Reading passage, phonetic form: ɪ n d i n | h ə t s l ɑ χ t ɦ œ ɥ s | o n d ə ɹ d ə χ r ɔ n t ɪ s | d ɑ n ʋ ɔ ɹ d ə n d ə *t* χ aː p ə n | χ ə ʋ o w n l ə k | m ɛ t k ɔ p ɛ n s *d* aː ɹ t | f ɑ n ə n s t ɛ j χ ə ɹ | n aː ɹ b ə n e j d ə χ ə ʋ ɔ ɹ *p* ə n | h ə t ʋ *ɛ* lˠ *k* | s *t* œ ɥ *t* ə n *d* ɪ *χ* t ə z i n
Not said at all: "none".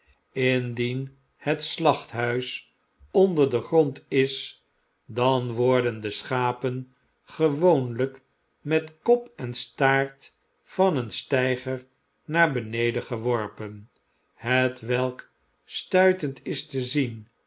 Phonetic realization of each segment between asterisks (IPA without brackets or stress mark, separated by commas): s, t, p, ɛ, k, t, t, t, s